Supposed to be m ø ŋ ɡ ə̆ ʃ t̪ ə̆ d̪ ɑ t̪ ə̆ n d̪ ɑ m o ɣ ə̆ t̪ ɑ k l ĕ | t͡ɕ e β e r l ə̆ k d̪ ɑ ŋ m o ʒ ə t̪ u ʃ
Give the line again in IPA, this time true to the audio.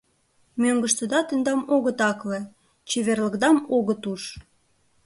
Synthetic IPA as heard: m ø ŋ ɡ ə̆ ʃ t̪ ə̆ d̪ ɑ t̪ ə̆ n d̪ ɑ m o ɣ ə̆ t̪ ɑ k l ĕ | t͡ɕ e β e r l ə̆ k d̪ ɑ m o ɣ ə t̪ u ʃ